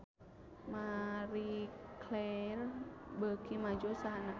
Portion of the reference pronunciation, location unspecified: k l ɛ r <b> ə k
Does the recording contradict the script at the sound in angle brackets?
no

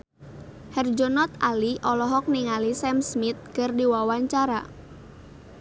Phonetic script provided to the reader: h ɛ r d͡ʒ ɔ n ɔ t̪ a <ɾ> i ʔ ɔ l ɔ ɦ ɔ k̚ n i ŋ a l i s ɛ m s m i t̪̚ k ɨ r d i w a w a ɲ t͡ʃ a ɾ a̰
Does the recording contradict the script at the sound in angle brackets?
yes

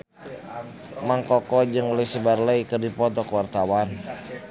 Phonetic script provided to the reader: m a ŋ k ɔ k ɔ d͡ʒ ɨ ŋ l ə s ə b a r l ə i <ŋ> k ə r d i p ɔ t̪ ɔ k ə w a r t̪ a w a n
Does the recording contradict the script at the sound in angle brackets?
yes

